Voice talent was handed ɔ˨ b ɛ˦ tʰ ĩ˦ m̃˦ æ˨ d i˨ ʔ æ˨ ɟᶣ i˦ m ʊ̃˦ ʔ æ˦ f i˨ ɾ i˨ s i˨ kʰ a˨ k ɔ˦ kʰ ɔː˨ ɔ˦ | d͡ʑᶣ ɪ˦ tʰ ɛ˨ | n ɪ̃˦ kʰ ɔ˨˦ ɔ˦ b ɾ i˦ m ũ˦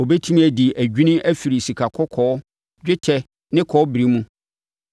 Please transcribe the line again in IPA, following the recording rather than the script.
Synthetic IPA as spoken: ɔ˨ b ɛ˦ tʰ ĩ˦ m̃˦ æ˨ d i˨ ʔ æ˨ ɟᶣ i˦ n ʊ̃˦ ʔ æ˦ f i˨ ɾ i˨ s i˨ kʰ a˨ kʰ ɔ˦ kʰ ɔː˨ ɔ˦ | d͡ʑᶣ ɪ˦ tʰ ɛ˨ | n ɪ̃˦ kʰ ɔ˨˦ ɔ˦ b ɾ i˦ m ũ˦

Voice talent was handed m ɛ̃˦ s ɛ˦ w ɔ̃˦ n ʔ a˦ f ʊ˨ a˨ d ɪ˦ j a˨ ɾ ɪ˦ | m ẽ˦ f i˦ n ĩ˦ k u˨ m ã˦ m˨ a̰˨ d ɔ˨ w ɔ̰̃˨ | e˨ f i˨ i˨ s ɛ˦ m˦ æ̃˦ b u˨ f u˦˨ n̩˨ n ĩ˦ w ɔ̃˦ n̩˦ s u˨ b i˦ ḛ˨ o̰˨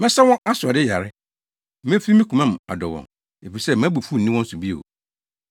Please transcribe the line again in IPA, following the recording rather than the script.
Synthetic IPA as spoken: m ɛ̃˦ s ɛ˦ w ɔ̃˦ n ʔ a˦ s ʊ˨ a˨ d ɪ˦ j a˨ ɾ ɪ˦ | m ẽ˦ f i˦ m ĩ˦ k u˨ m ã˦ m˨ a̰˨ d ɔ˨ w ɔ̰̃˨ | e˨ f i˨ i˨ s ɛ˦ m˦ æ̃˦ b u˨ f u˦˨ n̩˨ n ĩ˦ w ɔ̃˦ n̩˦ s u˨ b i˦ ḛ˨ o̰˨

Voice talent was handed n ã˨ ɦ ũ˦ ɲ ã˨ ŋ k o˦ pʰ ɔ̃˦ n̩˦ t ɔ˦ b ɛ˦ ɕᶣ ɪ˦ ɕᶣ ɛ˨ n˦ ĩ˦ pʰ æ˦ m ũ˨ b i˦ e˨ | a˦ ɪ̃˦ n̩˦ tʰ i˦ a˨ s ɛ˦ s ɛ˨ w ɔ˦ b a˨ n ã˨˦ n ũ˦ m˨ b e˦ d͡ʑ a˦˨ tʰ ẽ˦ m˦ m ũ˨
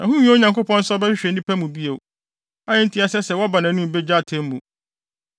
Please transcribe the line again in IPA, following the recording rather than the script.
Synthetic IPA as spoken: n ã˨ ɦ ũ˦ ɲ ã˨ ŋ k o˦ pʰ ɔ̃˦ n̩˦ s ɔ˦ b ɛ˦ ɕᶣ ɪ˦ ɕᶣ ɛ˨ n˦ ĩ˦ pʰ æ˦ m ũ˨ b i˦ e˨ | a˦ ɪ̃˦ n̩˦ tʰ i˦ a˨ s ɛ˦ s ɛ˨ w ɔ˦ b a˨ n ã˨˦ n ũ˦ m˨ b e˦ d͡ʑ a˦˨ tʰ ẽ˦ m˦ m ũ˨

